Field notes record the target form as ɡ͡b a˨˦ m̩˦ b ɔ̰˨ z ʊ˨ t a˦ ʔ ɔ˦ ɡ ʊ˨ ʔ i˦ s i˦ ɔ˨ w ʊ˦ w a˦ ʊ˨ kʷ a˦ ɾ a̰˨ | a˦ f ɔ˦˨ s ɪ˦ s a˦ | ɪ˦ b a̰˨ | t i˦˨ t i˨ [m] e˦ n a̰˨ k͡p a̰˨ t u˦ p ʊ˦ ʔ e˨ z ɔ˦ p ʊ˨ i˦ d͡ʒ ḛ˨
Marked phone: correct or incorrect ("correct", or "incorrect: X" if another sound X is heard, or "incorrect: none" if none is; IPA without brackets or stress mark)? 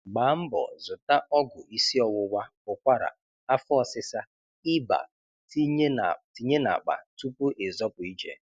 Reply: incorrect: ɲ